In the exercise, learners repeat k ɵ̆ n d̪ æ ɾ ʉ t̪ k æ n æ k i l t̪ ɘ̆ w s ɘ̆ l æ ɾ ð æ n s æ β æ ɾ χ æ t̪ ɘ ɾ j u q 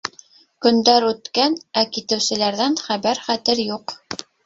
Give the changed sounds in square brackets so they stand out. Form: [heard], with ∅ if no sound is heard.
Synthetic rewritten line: k ɵ̆ n d̪ æ ɾ ʉ t̪ k æ n æ k i [∅] t̪ ɘ̆ w s ɘ̆ l æ ɾ ð æ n [χ] æ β æ ɾ χ æ t̪ ɘ ɾ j u q